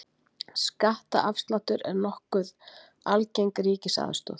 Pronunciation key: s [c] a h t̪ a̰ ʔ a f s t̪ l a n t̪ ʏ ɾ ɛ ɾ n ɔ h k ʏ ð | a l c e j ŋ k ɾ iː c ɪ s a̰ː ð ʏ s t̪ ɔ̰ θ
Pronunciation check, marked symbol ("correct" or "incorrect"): incorrect